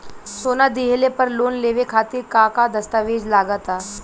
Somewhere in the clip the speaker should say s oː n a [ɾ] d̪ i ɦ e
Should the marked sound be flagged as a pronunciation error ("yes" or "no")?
yes